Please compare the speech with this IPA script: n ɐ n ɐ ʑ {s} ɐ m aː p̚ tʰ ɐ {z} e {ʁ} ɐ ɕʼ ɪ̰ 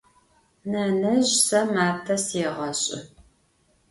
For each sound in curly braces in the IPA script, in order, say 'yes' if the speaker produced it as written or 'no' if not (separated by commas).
yes, no, yes